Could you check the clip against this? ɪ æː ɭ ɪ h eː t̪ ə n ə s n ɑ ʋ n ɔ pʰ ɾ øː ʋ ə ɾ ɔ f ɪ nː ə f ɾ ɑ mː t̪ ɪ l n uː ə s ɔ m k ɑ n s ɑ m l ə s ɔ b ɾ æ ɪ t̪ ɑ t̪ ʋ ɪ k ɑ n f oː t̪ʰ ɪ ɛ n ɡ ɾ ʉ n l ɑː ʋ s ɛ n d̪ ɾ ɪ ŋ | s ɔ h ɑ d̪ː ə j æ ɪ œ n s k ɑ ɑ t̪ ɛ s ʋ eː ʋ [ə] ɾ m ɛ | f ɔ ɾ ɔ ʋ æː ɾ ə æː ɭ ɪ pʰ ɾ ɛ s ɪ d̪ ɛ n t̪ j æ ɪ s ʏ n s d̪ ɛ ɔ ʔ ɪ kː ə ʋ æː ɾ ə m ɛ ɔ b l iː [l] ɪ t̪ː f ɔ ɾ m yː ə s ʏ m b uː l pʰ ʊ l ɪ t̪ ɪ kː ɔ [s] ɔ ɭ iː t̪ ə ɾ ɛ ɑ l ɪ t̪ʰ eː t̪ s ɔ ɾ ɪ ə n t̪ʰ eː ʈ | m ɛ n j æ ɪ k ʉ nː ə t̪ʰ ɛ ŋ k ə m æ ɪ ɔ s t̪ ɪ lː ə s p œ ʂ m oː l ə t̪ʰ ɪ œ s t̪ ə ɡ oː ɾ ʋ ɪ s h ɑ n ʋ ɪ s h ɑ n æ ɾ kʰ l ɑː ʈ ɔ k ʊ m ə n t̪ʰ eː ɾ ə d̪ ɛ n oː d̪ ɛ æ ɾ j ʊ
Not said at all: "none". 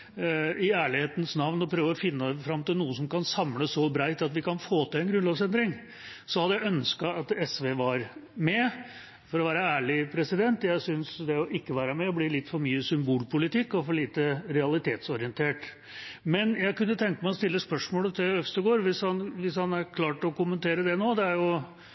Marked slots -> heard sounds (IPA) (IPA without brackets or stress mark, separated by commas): ɑ, l, f